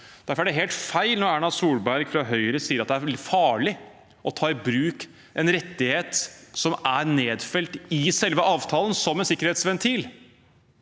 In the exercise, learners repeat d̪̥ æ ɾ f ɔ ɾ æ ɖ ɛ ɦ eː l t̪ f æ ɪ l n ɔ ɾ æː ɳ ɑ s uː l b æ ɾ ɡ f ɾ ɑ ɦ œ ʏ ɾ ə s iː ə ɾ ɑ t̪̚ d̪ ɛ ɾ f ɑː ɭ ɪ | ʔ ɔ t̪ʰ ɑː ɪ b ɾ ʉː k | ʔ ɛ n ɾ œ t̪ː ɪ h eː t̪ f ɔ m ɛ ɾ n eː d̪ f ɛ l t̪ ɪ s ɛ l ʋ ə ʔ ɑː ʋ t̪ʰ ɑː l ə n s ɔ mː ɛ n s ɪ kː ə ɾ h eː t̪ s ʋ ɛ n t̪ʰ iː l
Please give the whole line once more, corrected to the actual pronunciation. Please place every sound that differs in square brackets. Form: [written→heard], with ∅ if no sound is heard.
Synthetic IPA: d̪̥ æ ɾ f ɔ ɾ æ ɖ ɛ ɦ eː l t̪ f æ ɪ l n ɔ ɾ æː ɳ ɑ s uː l b æ ɾ ɡ f ɾ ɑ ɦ œ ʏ ɾ ə s iː ə ɾ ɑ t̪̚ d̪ [ɛ→æ] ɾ f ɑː ɭ ɪ | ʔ ɔ t̪ʰ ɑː ɪ b ɾ ʉː k | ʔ ɛ n ɾ [œ→ɛ] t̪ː ɪ h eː t̪ [f→s] ɔ m [ɛ→æ] ɾ n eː d̪ f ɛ l t̪ ɪ s ɛ l ʋ ə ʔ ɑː ʋ t̪ʰ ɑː l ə n s ɔ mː ɛ n s ɪ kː ə ɾ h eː t̪ s ʋ ɛ n t̪ʰ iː l